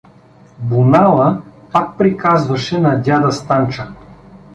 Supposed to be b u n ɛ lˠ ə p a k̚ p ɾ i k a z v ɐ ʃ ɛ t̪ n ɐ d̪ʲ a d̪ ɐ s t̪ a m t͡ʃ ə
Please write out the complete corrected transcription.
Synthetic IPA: b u n a lˠ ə p a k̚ p ɾ i k a z v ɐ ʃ ɛ n ɐ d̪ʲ a d̪ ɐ s t̪ a n t͡ʃ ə